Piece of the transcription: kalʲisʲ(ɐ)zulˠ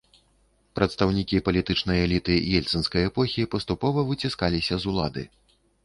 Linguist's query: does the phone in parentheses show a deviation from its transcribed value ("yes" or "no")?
no